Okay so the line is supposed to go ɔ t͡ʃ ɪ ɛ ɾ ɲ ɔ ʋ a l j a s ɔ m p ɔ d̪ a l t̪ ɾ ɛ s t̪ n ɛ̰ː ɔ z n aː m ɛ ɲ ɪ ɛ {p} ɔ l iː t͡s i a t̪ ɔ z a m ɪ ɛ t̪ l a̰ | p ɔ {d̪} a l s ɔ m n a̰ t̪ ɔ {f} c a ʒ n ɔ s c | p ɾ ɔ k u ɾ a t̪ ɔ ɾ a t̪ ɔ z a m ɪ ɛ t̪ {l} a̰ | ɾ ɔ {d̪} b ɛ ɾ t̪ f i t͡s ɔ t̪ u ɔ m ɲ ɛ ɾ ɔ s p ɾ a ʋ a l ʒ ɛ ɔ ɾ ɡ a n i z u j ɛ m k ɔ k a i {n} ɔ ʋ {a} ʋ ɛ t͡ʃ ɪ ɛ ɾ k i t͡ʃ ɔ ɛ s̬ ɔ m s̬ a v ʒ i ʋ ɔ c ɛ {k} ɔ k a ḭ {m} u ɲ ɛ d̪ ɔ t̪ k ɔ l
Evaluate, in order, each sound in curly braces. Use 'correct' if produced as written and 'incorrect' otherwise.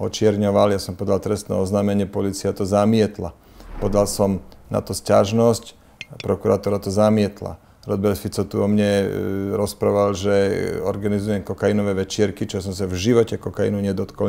correct, correct, incorrect: s, correct, correct, correct, incorrect: ɛ, correct, incorrect: n

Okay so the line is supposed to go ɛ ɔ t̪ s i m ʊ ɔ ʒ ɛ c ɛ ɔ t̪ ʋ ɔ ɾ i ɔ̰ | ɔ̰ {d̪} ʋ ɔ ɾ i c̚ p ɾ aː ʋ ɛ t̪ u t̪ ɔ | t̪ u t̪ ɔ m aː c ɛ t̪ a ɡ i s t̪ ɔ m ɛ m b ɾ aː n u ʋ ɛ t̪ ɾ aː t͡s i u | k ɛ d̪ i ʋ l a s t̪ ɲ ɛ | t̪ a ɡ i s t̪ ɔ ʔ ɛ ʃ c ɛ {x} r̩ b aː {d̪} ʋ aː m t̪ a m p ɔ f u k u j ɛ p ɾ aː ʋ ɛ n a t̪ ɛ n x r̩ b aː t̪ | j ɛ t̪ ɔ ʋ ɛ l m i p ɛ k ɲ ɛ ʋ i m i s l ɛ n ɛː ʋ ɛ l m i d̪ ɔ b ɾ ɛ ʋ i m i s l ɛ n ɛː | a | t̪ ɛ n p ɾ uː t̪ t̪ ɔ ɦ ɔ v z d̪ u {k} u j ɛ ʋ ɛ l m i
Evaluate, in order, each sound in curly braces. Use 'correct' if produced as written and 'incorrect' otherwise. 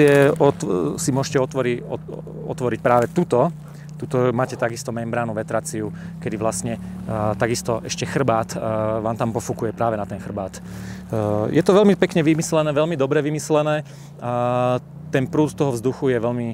incorrect: t̪, correct, incorrect: t̪, incorrect: x

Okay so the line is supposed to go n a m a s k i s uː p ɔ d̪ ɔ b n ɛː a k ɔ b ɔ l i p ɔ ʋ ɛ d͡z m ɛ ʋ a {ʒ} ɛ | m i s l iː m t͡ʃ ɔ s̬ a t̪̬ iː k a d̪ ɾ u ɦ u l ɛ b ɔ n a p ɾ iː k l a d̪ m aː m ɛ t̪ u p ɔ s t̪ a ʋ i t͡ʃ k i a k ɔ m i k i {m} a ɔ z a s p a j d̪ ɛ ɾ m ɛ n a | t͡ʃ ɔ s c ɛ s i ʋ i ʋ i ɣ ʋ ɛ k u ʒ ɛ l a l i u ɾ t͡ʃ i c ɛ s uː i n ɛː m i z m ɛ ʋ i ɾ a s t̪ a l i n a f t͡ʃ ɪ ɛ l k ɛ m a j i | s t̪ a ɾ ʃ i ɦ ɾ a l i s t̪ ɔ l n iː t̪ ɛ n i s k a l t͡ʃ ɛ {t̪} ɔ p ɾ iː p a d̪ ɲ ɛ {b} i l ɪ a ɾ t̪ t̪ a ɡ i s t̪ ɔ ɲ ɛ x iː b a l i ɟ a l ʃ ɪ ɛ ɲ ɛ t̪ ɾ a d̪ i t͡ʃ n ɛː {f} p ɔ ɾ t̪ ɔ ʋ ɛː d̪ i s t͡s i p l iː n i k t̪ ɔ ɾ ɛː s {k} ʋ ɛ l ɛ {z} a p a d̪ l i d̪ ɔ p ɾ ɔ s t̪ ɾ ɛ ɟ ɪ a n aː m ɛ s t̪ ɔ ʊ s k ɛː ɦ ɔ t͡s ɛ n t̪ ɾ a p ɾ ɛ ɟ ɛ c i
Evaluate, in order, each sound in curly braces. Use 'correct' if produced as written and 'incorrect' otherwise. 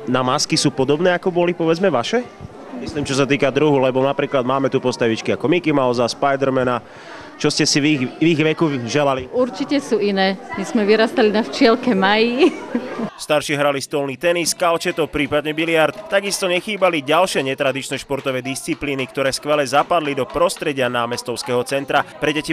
incorrect: ʃ, correct, correct, correct, incorrect: ʃ, correct, correct

